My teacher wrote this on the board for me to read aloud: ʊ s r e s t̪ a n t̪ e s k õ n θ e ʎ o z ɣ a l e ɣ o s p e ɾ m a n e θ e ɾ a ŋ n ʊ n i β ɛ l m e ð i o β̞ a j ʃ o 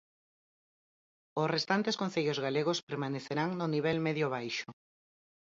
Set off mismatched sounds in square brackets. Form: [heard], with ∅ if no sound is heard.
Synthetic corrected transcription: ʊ s r e s t̪ a n t̪ e s k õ n θ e ʎ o z ɣ a l e ɣ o s p e ɾ m a n e θ e ɾ a ŋ n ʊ n i β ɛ l m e ð [j] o β̞ a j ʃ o